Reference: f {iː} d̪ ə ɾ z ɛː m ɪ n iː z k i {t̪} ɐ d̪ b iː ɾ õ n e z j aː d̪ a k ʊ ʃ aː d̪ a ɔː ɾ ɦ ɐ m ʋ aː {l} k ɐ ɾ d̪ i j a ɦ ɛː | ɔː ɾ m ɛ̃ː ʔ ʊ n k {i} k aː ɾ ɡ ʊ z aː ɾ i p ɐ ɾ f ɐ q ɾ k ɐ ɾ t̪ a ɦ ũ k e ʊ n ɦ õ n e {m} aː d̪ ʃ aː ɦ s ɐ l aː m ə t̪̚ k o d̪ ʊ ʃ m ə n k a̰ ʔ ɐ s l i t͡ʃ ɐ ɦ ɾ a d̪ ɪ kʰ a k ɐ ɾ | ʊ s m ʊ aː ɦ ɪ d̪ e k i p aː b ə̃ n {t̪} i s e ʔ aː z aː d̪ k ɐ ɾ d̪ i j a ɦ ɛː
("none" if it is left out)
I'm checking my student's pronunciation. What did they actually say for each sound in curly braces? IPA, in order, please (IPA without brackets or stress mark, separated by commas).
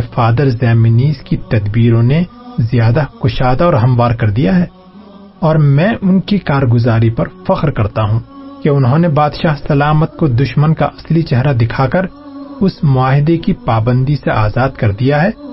aː, t̪, ɾ, i, b, d̪